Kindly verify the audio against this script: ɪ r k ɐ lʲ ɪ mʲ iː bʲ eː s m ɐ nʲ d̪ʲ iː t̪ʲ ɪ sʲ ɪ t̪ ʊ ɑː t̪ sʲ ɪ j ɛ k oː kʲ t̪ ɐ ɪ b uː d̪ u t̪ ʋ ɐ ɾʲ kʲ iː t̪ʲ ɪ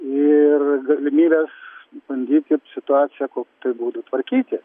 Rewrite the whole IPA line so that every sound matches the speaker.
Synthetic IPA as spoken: ɪ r ɡ ɐ lʲ ɪ mʲ iː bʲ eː s b ɐ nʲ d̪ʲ iː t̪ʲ ɪ sʲ ɪ t̪ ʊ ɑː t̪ sʲ ɪ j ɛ k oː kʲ t̪ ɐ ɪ b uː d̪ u t̪ ʋ ɐ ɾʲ kʲ iː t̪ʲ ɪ

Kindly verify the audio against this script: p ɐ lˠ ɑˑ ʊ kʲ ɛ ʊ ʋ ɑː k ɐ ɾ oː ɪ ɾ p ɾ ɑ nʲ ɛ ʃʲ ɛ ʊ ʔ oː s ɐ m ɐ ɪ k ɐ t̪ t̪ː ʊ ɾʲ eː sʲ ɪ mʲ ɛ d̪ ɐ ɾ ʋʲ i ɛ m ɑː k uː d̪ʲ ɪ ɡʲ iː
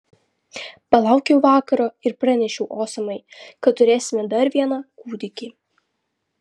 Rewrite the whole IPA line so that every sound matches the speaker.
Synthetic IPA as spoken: p ɐ lˠ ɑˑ ʊ kʲ ɛ ʊ ʋ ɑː k ɐ ɾ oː ɪ ɾ p ɾ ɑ nʲ ɛ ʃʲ ɛ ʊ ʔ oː s ɐ m ɐ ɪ k ɐ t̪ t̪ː ʊ ɾʲ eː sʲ ɪ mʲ ɛ d̪ ɐ ɾ ʋʲ i ɛ n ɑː k uː d̪ʲ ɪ kʲ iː

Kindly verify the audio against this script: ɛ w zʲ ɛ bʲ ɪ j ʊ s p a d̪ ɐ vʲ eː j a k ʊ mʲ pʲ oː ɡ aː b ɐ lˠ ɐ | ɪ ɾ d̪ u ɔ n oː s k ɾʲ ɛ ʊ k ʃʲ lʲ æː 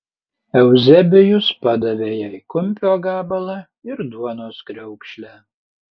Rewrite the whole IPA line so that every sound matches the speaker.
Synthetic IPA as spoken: ɛ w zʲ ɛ bʲ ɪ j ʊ s p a d̪ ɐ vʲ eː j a k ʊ mʲ pʲ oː ɡ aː b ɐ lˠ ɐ | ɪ ɾ d̪ u ɔ n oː s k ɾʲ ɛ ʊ k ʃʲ lʲ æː

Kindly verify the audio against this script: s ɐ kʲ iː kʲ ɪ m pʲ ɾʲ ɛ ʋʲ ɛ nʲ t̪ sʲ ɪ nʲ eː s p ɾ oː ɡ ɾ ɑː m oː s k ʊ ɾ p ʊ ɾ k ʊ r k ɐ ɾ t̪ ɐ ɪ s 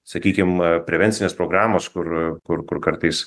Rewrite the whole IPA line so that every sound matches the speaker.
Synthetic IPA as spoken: s ɐ kʲ iː kʲ ɪ m pʲ ɾʲ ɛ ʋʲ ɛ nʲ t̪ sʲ ɪ nʲ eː s p ɾ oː ɡ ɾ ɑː m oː s k ʊ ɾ k ʊ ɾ k ʊ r k ɐ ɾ t̪ ɐ ɪ s

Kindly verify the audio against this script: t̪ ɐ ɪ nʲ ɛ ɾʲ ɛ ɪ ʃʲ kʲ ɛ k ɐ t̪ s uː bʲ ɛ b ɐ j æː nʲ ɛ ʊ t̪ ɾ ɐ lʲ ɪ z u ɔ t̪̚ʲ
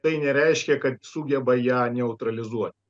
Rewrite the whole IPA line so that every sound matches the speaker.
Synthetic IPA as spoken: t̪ ɐ ɪ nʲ ɛ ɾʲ ɛ ɪ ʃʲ kʲ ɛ k ɐ t̪ s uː ɡʲ ɛ b ɐ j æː nʲ ɛ ʊ t̪ ɾ ɐ lʲ ɪ z u ɔ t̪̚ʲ

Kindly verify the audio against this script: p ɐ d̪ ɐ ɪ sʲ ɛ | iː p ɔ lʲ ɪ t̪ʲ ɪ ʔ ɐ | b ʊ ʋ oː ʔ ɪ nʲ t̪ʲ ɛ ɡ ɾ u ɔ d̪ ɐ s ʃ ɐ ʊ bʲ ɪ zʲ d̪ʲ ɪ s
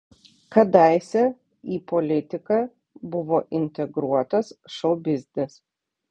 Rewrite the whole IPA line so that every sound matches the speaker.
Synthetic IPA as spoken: k ɐ d̪ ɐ ɪ sʲ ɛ | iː p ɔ lʲ ɪ t̪ʲ ɪ k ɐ | b ʊ ʋ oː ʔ ɪ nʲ t̪ʲ ɛ ɡ ɾ u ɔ t̪ ɐ s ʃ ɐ ʊ bʲ ɪ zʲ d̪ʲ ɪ s

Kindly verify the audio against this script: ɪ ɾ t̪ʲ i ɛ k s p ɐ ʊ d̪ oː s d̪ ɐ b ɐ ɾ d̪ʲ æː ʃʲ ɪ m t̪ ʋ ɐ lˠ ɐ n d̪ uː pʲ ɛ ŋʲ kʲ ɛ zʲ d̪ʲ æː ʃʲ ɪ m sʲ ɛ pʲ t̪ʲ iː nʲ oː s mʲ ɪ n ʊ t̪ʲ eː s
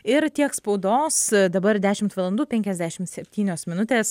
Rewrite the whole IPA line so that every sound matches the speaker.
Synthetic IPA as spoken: ɪ ɾ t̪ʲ i ɛ k s p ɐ ʊ d̪ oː s d̪ ɐ b ɐ ɾ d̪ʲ æː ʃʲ ɪ m t̪ ʋ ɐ lˠ ɐ n d̪ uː pʲ ɛ ŋʲ kʲ ɛ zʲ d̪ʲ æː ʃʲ ɪ m sʲ ɛ pʲ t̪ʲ iː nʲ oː s mʲ ɪ n ʊ t̪ʲ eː s

